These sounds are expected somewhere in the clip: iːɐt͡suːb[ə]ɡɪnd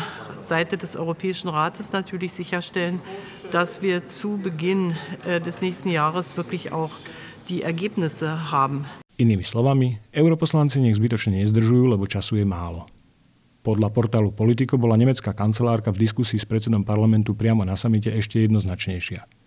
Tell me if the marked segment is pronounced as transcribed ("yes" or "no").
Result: yes